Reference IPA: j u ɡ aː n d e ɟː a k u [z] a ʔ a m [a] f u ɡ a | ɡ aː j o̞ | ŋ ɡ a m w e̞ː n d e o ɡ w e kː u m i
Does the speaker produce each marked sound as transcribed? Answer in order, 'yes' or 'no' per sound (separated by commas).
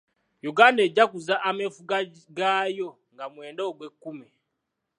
yes, no